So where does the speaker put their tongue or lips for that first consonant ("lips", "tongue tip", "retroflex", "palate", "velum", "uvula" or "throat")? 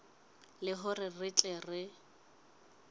tongue tip